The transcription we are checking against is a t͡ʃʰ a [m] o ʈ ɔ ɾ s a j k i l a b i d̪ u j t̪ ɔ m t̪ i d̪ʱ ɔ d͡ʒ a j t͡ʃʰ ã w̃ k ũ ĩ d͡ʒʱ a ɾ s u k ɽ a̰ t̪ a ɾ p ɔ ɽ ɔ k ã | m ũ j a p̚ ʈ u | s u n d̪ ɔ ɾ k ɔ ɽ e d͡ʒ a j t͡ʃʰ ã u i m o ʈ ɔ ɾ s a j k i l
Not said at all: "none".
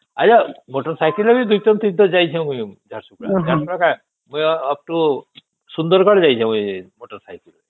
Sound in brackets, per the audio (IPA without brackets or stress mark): m